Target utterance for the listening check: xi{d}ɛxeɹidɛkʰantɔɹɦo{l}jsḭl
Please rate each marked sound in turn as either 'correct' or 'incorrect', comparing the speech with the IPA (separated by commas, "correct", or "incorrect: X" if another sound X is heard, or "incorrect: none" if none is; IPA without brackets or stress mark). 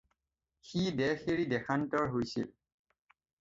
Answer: correct, incorrect: none